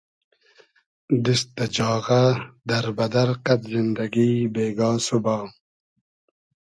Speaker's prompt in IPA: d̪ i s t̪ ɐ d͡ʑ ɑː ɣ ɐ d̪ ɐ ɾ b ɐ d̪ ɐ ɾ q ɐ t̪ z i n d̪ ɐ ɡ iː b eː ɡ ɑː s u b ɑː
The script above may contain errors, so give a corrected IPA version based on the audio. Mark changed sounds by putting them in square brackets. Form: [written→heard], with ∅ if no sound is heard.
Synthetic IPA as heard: d̪ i s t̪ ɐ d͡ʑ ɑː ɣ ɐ d̪ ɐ ɾ b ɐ d̪ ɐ ɾ q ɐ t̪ z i n d̪ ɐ ɡ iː b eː ɡ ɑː s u b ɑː